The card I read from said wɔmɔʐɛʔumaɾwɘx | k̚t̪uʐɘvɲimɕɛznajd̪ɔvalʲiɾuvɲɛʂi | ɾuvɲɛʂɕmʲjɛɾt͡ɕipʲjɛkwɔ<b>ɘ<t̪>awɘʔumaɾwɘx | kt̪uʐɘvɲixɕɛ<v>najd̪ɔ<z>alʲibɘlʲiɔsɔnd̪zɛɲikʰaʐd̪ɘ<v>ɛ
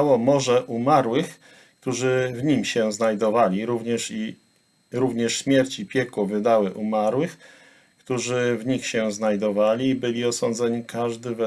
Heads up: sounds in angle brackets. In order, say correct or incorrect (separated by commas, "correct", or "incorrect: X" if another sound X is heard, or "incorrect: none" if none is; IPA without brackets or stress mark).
incorrect: v, incorrect: d̪, incorrect: z, incorrect: v, correct